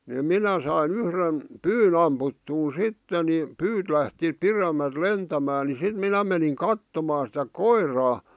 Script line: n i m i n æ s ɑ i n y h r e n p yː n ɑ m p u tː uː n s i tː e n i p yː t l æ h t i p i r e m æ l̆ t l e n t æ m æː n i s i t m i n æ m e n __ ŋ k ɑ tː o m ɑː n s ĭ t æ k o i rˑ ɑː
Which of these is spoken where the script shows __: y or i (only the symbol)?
i